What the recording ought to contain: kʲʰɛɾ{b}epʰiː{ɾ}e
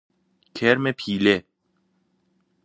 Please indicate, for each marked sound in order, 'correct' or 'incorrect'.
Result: incorrect, incorrect

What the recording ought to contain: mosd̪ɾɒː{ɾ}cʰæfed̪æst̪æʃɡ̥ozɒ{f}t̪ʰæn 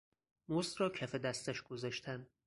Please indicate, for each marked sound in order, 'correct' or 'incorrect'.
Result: incorrect, incorrect

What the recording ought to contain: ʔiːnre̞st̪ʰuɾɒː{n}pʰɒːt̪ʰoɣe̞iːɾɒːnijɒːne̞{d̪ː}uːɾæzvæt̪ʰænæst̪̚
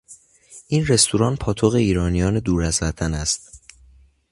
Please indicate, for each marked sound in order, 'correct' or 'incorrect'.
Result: correct, incorrect

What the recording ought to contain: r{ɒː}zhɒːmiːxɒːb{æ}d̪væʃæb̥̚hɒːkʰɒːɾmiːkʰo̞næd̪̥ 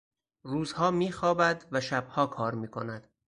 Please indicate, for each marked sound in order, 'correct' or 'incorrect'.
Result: incorrect, correct

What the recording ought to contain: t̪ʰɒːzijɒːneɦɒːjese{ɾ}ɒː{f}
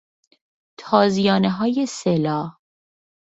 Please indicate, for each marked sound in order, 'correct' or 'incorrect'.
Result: incorrect, incorrect

